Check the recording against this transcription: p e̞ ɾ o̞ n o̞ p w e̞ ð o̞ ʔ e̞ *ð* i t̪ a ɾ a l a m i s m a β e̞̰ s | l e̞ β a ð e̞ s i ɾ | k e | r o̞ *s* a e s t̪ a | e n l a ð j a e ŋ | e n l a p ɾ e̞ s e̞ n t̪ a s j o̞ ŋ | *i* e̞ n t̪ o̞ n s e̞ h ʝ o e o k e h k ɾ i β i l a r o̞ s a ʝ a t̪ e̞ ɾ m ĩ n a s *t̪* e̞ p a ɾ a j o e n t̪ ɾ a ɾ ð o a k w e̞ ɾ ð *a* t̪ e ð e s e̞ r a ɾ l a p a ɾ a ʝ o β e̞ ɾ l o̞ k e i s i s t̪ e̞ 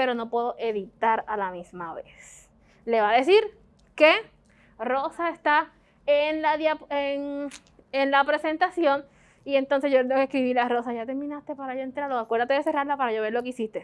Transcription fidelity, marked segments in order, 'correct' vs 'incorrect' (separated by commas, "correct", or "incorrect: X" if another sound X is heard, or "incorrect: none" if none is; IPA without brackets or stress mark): correct, correct, correct, correct, correct